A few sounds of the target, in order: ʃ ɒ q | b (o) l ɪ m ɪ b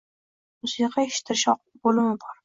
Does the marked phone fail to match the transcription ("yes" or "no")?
no